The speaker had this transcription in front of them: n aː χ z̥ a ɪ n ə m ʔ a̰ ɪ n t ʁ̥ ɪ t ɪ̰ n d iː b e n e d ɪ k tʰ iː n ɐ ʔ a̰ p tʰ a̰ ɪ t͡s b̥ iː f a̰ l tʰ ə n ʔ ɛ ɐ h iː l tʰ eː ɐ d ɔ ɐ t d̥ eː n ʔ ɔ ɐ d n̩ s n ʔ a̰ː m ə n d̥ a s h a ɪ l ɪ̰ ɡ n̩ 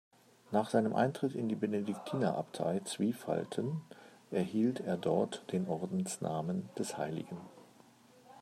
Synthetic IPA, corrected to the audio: n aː χ z̥ a ɪ n ə m ʔ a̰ ɪ n t ʁ̥ ɪ t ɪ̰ n d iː b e n e d ɪ k tʰ iː n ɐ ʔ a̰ p tʰ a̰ ɪ t͡s v̥ iː f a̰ l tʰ ə n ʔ ɛ ɐ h iː l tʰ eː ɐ d ɔ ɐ t d̥ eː n ʔ ɔ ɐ d n̩ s n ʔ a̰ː m ə n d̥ ɛ s h a ɪ l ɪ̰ ɡ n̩